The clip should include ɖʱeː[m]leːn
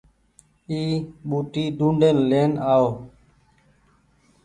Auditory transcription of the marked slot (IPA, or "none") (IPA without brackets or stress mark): n